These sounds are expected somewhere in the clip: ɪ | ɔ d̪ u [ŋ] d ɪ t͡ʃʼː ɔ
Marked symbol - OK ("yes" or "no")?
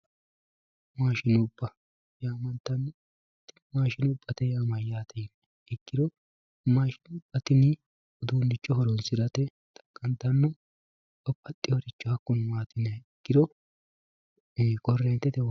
no